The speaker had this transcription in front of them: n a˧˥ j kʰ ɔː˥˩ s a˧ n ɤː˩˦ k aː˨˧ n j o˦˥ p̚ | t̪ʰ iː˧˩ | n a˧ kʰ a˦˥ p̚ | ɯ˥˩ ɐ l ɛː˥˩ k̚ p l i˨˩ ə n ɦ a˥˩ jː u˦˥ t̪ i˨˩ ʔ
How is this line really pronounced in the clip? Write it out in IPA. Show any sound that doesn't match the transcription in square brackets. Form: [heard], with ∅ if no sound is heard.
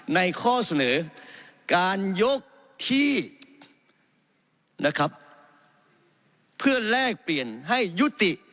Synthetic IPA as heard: n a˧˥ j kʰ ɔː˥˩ s a˧ n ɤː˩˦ k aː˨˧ n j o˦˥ [k̚] | t̪ʰ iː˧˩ | n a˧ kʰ a˦˥ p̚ | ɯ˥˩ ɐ l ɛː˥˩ k̚ p l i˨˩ ə n ɦ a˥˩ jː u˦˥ t̪ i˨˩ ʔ